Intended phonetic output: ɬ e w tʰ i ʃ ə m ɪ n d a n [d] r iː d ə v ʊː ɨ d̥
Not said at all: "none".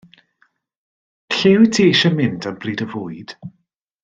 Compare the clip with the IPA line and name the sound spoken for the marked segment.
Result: b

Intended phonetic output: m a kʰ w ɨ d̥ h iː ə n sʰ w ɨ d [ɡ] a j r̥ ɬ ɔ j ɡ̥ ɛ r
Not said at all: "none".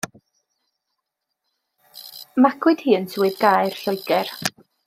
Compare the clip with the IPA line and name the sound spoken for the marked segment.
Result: ɡ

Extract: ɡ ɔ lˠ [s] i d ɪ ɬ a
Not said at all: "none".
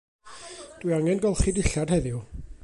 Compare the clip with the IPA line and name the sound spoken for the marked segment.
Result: χ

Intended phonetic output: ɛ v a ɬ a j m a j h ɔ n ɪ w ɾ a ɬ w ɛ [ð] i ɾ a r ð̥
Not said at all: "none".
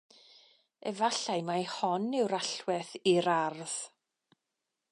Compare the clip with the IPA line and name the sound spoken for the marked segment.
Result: θ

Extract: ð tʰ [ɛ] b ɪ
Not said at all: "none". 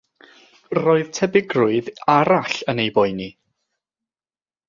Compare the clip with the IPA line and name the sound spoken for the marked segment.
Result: ɛ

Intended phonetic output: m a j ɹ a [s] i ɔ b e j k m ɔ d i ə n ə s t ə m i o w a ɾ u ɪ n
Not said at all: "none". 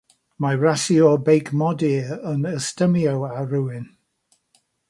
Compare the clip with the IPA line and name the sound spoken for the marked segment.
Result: s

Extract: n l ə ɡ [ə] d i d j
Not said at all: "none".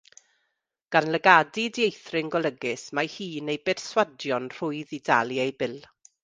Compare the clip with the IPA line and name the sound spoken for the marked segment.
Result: a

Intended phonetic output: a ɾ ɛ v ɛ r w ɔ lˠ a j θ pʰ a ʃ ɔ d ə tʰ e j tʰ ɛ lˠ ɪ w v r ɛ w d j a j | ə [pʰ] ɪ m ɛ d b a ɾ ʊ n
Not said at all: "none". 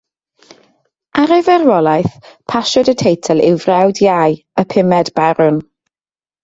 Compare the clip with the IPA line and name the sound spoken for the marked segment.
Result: pʰ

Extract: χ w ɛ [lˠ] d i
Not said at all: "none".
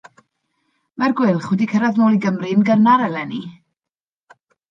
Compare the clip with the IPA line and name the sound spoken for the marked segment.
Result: none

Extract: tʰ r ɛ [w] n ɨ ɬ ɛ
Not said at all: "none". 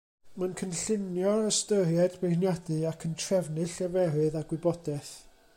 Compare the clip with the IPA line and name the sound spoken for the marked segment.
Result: v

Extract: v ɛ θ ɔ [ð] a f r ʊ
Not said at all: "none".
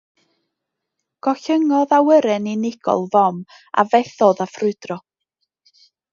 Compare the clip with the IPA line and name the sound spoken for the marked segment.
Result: ð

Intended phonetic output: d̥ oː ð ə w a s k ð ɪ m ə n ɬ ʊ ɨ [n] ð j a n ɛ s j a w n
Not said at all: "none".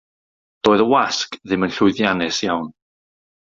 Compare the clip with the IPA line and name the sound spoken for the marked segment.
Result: none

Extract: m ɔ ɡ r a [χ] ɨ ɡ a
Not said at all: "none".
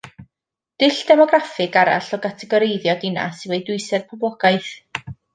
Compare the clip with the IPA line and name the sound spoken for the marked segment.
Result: f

